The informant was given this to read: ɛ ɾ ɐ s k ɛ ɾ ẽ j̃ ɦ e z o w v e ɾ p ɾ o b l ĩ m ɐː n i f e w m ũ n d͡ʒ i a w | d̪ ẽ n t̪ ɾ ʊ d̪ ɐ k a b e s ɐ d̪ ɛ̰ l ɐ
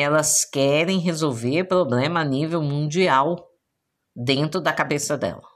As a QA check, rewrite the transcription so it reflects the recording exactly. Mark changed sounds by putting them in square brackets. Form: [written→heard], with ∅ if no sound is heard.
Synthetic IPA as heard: ɛ [ɾ→l] ɐ s k ɛ ɾ ẽ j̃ ɦ e z o w v e ɾ p ɾ o b l [ĩ→ẽ] m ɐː n i [f→v] e w m ũ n d͡ʒ i a w | d̪ ẽ n t̪ ɾ ʊ d̪ ɐ k a b e s ɐ d̪ ɛ̰ l ɐ